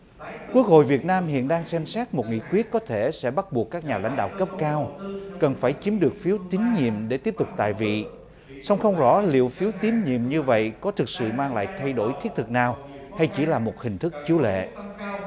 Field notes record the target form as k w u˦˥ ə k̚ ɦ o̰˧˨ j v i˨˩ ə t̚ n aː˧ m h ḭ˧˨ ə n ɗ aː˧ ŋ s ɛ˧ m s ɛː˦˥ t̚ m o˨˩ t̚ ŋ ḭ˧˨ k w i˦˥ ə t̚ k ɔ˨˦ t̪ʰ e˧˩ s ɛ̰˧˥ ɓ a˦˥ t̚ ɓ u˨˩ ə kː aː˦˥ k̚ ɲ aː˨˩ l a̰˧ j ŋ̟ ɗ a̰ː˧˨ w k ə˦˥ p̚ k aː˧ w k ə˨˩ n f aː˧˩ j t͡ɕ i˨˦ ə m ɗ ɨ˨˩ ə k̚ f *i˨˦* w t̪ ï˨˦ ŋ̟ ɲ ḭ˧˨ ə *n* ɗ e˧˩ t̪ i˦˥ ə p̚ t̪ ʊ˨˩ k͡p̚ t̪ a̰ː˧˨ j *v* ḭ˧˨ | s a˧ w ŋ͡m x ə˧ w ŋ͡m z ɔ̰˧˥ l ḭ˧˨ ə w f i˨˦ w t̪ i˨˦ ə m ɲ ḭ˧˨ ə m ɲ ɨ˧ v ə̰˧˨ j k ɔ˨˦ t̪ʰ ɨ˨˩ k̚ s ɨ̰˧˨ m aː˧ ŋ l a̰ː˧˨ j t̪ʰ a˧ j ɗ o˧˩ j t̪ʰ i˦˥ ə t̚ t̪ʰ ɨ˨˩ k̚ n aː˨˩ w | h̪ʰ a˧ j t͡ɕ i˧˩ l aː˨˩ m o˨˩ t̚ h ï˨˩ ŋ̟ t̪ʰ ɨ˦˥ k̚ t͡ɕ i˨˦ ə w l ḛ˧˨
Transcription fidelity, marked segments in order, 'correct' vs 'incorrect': correct, incorrect: m, correct

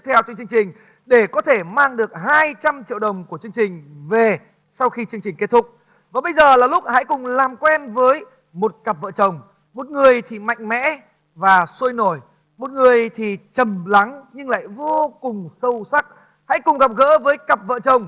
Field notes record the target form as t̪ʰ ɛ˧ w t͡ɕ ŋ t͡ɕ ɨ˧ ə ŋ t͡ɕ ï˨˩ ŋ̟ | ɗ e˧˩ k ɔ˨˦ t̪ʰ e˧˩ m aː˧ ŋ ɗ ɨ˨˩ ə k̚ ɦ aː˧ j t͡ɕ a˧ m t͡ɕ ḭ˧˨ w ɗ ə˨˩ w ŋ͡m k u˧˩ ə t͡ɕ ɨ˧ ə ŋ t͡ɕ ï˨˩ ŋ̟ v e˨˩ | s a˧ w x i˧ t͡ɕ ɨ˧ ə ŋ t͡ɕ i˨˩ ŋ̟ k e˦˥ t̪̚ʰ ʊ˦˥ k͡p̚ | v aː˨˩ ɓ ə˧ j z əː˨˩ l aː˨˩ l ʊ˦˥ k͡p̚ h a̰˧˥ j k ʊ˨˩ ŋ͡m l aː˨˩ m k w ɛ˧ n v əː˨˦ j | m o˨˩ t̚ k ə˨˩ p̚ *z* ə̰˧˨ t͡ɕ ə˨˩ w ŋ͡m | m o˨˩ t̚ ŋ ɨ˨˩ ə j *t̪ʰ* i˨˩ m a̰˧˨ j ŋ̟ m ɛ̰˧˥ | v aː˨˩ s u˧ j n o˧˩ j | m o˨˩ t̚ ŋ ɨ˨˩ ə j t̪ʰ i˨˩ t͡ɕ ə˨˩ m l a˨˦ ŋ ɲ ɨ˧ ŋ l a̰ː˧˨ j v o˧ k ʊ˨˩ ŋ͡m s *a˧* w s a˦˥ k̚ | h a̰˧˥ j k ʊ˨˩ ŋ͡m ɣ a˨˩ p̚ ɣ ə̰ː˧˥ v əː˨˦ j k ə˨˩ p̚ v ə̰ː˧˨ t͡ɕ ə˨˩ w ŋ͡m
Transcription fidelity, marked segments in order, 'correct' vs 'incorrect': incorrect: v, correct, incorrect: ə˧

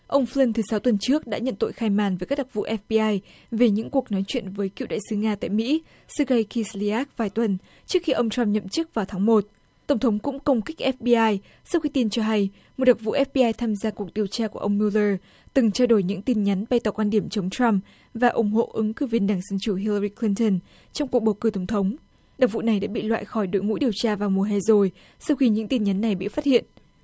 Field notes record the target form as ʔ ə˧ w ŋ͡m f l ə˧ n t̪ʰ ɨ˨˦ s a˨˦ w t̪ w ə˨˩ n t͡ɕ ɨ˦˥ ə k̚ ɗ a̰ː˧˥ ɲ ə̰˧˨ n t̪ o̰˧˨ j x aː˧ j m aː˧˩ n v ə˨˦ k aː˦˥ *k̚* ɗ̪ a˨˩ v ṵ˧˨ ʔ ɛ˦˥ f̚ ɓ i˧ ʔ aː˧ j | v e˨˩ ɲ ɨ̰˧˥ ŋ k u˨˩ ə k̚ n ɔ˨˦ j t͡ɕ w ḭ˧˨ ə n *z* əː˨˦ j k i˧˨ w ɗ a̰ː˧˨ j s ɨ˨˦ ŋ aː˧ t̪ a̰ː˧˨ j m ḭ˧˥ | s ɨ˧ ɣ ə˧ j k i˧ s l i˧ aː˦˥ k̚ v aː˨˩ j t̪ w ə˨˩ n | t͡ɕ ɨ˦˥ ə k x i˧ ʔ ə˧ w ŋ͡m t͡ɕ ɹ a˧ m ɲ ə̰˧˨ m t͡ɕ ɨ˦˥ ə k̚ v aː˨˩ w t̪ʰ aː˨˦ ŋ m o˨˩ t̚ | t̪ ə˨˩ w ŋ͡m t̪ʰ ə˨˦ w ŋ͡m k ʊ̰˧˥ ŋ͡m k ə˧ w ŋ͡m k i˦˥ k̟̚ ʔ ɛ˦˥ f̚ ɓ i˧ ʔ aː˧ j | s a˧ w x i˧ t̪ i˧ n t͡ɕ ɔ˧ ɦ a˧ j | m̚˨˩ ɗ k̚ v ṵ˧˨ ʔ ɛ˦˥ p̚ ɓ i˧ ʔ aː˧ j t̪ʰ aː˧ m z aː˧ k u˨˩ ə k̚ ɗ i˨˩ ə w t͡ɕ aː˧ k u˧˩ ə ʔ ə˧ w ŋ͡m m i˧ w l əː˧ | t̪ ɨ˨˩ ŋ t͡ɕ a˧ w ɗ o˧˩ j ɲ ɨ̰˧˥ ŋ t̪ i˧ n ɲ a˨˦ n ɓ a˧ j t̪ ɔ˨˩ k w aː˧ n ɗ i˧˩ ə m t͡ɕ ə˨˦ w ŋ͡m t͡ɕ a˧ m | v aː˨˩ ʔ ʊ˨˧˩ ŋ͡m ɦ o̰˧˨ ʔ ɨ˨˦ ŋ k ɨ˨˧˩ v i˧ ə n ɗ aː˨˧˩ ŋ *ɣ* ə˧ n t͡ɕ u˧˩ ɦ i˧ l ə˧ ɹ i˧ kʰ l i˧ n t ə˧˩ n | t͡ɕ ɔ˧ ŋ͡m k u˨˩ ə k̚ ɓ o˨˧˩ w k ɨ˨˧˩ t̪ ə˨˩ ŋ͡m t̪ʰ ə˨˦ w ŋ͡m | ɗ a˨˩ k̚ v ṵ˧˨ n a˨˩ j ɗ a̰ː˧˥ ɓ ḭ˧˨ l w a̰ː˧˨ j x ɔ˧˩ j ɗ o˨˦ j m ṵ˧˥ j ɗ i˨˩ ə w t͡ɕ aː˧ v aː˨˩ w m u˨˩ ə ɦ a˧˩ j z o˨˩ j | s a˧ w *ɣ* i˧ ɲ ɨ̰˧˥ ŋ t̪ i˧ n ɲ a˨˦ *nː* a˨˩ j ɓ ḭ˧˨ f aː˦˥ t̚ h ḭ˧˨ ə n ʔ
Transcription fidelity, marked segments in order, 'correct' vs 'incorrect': correct, incorrect: v, incorrect: z, incorrect: x, correct

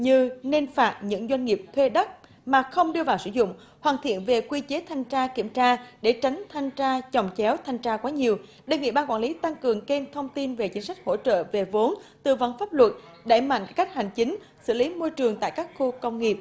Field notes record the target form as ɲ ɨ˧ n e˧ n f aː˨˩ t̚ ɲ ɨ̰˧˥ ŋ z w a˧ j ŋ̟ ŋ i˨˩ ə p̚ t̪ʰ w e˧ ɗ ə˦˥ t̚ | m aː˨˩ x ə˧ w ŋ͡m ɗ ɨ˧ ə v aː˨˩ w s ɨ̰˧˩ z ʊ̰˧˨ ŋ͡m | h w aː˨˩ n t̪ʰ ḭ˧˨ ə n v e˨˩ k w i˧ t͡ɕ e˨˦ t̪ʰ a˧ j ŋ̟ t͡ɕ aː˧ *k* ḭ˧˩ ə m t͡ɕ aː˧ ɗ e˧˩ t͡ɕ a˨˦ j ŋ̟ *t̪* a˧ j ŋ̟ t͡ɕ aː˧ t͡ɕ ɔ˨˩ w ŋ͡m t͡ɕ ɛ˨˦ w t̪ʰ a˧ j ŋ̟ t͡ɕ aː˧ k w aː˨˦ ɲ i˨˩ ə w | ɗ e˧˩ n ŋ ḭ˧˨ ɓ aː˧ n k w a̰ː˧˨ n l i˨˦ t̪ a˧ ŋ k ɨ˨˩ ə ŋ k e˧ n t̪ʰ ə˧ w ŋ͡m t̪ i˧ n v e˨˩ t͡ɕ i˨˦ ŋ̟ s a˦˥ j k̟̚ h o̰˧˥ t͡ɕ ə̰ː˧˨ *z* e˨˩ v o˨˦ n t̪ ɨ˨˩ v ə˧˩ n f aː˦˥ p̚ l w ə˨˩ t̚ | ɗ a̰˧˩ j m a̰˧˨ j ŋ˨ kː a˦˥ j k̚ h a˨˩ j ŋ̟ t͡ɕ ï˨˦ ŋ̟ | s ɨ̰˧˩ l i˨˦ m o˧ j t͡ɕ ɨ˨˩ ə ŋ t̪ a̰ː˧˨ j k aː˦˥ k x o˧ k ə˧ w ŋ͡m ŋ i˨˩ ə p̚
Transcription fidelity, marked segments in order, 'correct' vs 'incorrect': correct, incorrect: t̪ʰ, incorrect: v

